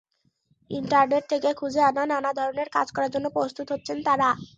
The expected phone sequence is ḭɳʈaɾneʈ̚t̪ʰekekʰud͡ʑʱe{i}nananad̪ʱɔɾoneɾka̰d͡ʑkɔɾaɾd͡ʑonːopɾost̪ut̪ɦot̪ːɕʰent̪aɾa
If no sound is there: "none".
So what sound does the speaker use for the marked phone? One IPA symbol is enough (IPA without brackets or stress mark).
a